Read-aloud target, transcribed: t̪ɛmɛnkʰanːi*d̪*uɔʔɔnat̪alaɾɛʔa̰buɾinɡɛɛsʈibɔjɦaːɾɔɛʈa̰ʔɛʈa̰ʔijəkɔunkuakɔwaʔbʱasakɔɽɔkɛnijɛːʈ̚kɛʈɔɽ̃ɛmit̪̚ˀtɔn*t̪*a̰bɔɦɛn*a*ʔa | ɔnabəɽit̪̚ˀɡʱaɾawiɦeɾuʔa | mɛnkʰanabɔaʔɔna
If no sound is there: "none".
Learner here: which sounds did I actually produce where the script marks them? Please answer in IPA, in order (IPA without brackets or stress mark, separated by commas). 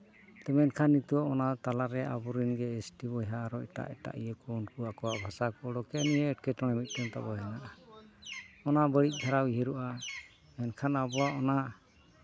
t̪, t̪, a